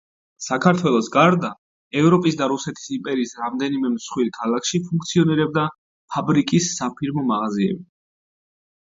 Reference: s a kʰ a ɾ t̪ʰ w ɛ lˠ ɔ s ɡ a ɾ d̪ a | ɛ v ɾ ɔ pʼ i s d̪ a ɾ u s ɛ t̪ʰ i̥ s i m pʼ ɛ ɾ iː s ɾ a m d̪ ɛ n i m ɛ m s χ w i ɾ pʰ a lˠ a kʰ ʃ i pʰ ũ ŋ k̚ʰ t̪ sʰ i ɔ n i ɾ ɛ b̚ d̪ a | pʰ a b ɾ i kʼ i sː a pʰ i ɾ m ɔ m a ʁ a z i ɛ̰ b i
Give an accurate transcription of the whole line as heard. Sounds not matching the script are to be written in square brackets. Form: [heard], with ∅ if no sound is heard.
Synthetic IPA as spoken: s a kʰ a ɾ t̪ʰ w ɛ lˠ ɔ s ɡ a ɾ d̪ a | ɛ v ɾ ɔ pʼ i s d̪ a ɾ u s ɛ t̪ʰ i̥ s i m pʼ ɛ ɾ iː s ɾ a m d̪ ɛ n i m ɛ m s χ w i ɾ [kʰ] a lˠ a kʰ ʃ i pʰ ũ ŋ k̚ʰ t̪ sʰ i ɔ n i ɾ ɛ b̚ d̪ a | pʰ a b ɾ i kʼ i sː a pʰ i ɾ m ɔ m a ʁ a z i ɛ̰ b i

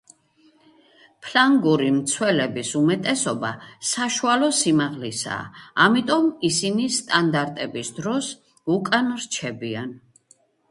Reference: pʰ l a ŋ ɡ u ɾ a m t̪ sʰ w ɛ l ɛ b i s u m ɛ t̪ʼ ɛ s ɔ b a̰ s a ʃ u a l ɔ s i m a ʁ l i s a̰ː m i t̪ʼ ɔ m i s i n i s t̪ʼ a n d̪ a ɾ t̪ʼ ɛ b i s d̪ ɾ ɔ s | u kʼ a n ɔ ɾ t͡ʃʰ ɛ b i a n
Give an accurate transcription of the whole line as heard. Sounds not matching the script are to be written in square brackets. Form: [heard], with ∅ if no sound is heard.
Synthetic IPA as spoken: pʰ l a ŋ ɡ u ɾ [i] m t̪ sʰ w ɛ l ɛ b i s u m ɛ t̪ʼ ɛ s ɔ b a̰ s a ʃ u a l ɔ s i m a ʁ l i s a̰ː m i t̪ʼ ɔ m i s i n i s t̪ʼ a n d̪ a ɾ t̪ʼ ɛ b i s d̪ ɾ ɔ s | u kʼ a n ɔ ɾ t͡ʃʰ ɛ b i a n

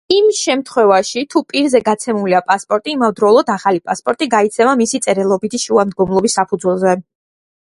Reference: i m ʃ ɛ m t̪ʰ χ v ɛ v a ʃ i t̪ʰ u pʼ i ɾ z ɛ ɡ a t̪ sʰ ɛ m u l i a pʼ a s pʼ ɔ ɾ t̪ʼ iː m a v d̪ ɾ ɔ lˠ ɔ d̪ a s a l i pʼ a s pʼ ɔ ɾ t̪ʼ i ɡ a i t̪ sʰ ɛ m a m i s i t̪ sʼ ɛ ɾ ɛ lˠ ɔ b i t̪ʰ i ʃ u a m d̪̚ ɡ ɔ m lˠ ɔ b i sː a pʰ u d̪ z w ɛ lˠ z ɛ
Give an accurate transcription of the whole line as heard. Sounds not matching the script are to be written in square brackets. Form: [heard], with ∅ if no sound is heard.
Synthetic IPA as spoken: i m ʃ ɛ m t̪ʰ χ [w] ɛ v a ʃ i t̪ʰ u pʼ i ɾ z ɛ ɡ a t̪ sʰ ɛ m u l i a pʼ a s pʼ ɔ ɾ t̪ʼ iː m a v d̪ ɾ ɔ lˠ ɔ d̪ a [χ] a l i pʼ a s pʼ ɔ ɾ t̪ʼ i ɡ a i t̪ sʰ ɛ m a m i s i t̪ sʼ ɛ ɾ ɛ lˠ ɔ b i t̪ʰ i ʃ u a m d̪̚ ɡ ɔ m lˠ ɔ b i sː a pʰ u d̪ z w ɛ lˠ z ɛ

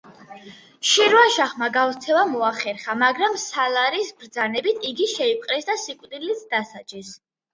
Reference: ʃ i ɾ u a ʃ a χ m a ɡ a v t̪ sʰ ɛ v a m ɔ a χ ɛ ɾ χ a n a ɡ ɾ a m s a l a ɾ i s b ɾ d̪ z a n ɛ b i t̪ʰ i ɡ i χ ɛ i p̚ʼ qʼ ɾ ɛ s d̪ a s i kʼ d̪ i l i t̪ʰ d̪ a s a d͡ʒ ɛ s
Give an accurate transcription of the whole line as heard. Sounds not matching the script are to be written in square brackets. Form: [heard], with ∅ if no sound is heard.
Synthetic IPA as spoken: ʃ i ɾ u a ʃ a χ m a ɡ a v t̪ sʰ ɛ v a m ɔ a χ ɛ ɾ χ a [m] a ɡ ɾ a m s a l a ɾ i s b ɾ d̪ z a n ɛ b i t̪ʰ i ɡ i [ʃ] ɛ i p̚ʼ qʼ ɾ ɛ s d̪ a s i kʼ d̪ i l i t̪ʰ d̪ a s a d͡ʒ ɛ s

